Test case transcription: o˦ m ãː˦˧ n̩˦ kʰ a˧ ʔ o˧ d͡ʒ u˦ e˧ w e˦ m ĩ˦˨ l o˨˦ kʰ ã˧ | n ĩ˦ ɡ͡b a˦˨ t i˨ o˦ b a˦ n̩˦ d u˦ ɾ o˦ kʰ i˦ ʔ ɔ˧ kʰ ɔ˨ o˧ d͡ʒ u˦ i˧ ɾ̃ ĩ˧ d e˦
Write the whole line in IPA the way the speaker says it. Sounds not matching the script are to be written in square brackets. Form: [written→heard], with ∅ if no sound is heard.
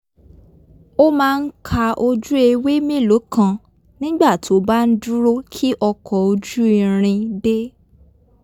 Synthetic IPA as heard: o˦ m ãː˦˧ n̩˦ kʰ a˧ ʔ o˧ d͡ʒ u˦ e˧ w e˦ m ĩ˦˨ l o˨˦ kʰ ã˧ | n ĩ˦ ɡ͡b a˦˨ t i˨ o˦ b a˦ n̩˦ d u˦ ɾ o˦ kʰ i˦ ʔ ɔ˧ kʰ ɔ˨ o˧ d͡ʒ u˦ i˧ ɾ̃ ĩ˧ d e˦

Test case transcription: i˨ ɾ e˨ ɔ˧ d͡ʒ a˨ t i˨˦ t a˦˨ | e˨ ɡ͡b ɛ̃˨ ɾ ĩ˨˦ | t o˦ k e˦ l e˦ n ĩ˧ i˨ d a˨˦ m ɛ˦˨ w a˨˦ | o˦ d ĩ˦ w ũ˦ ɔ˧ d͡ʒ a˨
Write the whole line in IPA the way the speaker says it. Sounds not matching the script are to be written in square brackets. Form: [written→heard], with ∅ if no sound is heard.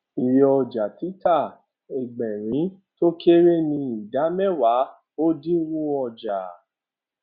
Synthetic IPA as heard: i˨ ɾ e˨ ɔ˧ d͡ʒ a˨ t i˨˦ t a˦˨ | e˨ ɡ͡b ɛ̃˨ ɾ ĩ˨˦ | t o˦ k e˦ [l→ɾ] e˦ n ĩ˧ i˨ d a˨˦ m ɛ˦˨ w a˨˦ | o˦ d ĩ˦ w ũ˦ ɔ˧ d͡ʒ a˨

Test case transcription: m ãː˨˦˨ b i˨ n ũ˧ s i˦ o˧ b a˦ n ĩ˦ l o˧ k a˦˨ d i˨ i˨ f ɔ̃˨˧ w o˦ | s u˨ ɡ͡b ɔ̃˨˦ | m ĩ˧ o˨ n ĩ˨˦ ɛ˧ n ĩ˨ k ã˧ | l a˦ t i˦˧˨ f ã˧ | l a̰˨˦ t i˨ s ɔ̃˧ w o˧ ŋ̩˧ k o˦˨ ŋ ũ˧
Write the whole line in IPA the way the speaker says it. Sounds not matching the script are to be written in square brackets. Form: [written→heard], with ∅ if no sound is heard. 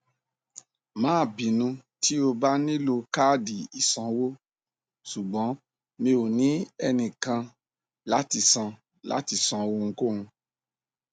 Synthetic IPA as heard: m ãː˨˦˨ b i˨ n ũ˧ [s→t] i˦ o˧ b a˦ n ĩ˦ l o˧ k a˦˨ d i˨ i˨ [f→s] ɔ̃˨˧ w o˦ | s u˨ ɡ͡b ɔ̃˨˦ | m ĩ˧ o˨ n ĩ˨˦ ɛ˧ n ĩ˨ k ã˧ | l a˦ t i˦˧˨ [f→s] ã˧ | l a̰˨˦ t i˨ s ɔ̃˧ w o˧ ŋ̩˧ k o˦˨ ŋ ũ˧

